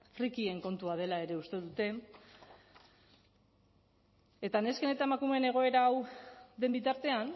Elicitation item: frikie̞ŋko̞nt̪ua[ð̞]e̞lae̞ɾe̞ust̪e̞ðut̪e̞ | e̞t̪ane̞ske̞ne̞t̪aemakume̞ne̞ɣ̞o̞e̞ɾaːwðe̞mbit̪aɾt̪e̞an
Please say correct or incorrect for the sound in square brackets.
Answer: correct